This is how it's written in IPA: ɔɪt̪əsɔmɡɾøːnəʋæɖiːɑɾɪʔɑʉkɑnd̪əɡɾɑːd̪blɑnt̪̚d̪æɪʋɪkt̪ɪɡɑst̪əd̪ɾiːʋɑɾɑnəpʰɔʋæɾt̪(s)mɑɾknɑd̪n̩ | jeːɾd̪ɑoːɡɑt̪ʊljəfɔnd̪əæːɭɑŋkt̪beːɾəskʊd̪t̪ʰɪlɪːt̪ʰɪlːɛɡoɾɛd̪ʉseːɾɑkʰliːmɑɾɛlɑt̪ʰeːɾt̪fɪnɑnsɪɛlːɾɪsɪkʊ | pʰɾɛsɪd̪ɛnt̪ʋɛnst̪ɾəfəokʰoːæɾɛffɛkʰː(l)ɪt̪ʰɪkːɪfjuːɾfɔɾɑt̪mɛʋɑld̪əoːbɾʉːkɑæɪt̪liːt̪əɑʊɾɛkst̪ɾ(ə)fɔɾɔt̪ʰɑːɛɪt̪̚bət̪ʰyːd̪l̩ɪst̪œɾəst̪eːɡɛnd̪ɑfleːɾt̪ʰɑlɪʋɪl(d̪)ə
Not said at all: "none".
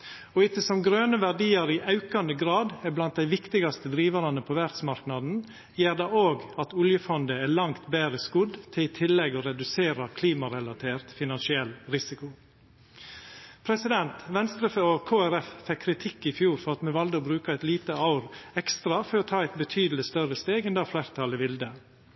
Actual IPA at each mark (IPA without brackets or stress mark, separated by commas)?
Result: s, ɾ, ɑ, d̪